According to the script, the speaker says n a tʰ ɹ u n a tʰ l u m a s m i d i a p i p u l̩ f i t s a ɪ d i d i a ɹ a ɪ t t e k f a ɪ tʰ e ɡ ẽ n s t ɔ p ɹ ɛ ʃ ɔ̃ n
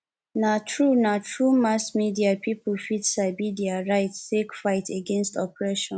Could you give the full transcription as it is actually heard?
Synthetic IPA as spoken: n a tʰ ɹ u n a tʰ ɹ u m a s m i d i a p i p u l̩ f i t s a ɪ b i d i a ɹ a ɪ t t e k f a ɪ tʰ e ɡ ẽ n s t ɔ p ɹ ɛ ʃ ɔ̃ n